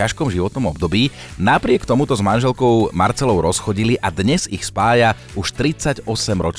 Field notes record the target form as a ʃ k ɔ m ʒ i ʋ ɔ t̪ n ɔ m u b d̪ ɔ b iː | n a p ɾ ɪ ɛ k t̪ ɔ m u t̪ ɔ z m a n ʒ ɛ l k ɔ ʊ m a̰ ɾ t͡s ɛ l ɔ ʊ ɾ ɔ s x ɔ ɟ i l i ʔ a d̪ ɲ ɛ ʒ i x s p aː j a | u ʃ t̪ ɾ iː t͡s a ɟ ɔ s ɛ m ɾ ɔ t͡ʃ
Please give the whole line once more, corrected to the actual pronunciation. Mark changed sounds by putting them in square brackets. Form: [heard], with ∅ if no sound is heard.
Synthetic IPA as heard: a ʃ k ɔ m ʒ i ʋ ɔ t̪ n ɔ m [ɔ] b d̪ ɔ b iː | n a p ɾ ɪ ɛ k t̪ ɔ m u t̪ ɔ z m a n ʒ ɛ l k ɔ ʊ m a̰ ɾ t͡s ɛ l ɔ ʊ ɾ ɔ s x ɔ ɟ i l i ʔ a d̪ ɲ ɛ [z] i x s p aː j a | u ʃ t̪ ɾ [i] t͡s a ɟ ɔ s ɛ m ɾ ɔ t͡ʃ